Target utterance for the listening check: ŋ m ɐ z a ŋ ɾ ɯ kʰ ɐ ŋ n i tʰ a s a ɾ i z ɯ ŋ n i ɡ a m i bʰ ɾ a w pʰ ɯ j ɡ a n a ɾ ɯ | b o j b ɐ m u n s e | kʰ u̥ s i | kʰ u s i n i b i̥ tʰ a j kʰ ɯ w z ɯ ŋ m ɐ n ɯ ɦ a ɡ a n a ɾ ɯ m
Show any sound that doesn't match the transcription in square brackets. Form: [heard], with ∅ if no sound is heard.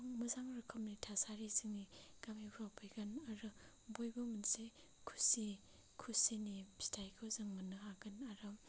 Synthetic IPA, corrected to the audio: ŋ m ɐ z a ŋ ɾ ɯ kʰ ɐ [m] n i tʰ a s a ɾ i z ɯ ŋ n i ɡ a m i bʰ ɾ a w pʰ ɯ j ɡ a n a ɾ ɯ | b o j b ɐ m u n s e | kʰ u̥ s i | kʰ u s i n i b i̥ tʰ a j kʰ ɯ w z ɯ ŋ m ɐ n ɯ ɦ a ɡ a n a ɾ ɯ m